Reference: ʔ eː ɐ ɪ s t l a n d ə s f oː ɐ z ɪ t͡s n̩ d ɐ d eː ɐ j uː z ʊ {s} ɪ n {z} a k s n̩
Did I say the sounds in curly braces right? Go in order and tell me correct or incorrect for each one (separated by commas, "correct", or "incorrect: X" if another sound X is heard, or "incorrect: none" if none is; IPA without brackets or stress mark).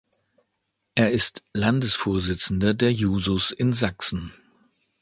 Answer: correct, correct